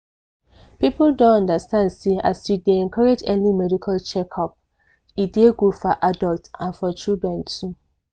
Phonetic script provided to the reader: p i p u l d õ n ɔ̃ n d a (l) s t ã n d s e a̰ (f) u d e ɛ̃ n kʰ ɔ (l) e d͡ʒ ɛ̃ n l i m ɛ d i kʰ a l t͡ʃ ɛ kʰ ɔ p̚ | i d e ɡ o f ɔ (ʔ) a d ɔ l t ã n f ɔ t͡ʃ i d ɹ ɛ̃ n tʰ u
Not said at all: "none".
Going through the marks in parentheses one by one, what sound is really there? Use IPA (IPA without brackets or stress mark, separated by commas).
none, s, ɹ, ʔ